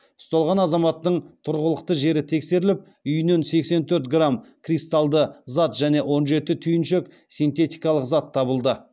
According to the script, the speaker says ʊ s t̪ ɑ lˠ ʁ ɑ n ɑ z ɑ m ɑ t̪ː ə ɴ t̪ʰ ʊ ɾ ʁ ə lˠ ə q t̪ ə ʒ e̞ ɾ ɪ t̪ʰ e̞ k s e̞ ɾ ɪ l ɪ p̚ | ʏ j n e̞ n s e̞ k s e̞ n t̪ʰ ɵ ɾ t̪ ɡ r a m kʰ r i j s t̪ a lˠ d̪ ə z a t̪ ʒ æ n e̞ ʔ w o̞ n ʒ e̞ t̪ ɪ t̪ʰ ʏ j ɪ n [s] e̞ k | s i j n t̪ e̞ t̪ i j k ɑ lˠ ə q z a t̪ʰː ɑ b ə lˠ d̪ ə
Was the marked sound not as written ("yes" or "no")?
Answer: yes